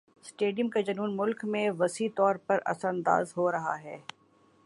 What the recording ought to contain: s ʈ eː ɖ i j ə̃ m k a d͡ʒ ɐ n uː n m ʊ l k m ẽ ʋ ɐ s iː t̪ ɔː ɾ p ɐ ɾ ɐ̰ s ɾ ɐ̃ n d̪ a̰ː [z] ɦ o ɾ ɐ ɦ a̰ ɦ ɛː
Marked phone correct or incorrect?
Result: correct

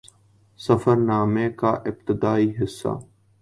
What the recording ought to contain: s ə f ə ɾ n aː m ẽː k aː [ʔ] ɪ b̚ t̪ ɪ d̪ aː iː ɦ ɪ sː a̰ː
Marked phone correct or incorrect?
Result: correct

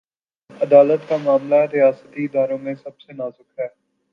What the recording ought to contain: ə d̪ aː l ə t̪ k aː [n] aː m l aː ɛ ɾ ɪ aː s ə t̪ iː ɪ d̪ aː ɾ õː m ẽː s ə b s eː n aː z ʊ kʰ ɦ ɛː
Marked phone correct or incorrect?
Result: incorrect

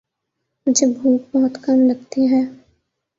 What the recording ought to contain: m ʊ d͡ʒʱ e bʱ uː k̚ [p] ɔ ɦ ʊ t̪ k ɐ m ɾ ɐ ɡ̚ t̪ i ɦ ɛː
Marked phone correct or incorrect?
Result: incorrect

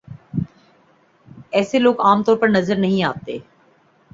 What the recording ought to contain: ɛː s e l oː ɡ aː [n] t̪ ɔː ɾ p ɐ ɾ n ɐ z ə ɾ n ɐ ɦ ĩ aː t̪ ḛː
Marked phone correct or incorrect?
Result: incorrect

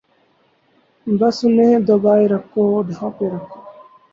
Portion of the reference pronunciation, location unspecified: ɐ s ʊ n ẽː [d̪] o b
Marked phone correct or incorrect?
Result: correct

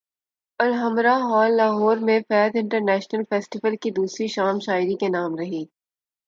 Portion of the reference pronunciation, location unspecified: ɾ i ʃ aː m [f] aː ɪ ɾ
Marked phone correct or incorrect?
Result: incorrect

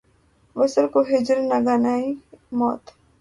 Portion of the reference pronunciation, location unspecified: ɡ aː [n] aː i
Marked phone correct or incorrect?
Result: correct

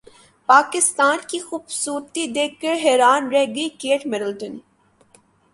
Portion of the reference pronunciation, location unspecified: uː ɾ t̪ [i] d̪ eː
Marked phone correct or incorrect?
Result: correct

